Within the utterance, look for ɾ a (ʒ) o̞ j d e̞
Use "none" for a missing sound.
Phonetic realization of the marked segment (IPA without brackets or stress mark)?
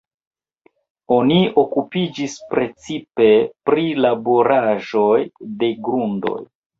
ʒ